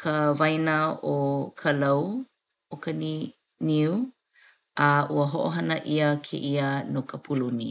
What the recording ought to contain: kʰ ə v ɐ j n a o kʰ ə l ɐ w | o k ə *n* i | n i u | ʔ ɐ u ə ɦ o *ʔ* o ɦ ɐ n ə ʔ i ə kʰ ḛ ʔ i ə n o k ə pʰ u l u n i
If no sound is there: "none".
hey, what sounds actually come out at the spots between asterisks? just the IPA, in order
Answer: n, ʔ

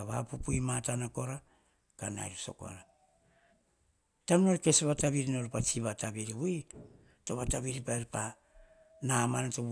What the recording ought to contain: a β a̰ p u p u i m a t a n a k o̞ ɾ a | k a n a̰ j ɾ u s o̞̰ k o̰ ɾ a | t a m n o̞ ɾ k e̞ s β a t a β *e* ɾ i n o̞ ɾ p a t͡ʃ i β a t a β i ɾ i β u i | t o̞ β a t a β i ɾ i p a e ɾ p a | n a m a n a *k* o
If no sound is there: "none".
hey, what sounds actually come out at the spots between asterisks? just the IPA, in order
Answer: i, t

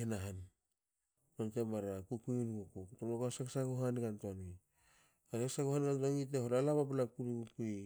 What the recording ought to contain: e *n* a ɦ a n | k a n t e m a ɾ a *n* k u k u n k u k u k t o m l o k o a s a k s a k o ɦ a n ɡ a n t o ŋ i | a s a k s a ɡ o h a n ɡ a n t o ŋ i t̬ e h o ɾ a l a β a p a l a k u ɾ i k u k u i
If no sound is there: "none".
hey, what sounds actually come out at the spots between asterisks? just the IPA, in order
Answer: n, none

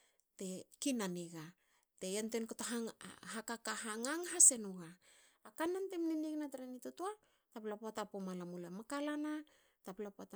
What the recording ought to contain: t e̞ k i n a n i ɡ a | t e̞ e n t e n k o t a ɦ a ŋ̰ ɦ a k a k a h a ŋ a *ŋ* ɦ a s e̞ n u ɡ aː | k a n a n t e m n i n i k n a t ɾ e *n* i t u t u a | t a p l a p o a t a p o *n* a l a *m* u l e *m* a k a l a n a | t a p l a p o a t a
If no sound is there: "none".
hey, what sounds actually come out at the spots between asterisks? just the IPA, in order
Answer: ŋ, n, m, m, m

